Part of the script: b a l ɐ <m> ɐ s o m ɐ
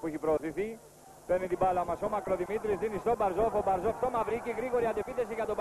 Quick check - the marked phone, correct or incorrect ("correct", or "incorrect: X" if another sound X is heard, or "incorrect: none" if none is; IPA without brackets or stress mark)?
correct